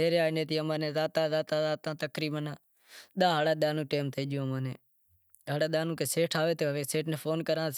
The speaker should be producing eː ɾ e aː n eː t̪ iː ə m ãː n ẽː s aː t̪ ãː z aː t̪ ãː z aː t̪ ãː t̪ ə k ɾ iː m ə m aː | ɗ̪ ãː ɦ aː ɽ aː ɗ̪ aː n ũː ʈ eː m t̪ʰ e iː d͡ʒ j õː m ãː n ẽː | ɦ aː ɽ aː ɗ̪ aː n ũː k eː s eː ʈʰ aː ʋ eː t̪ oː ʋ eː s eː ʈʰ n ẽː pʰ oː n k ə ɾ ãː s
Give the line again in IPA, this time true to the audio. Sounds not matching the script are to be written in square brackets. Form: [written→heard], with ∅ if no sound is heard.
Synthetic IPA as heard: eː ɾ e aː n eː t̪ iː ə m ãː n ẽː [s→z] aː t̪ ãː z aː t̪ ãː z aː t̪ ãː t̪ ə k ɾ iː m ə [m→n] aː | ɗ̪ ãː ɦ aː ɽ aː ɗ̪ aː n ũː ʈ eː m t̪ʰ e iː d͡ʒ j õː m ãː n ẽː | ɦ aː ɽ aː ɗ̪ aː n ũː k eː s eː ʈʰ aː ʋ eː t̪ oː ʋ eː s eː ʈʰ n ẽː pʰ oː n k ə ɾ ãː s